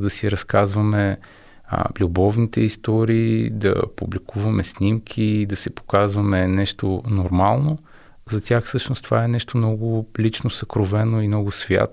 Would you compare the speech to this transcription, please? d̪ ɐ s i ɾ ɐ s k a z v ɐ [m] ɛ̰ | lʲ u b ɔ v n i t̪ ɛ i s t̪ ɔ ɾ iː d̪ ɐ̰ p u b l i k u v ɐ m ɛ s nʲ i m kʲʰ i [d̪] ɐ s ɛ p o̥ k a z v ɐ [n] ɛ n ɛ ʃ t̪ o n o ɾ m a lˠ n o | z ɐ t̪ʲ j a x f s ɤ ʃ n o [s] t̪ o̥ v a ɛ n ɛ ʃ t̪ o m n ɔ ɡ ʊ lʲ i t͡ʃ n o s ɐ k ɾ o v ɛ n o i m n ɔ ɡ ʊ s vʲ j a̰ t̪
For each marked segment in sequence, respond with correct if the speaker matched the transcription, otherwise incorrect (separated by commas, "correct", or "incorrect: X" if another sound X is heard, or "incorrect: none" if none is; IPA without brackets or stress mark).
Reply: correct, correct, incorrect: m, correct